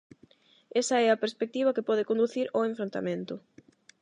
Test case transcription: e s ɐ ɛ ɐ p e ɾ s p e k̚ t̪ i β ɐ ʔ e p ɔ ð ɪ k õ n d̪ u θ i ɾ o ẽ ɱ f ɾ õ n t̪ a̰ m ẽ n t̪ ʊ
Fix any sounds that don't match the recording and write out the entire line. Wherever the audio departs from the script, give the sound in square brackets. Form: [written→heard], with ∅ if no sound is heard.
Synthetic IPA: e s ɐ ɛ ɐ p e ɾ s p e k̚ t̪ i β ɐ [ʔ→k] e p ɔ ð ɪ k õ n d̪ u θ i ɾ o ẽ ɱ f ɾ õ n t̪ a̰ m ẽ n t̪ ʊ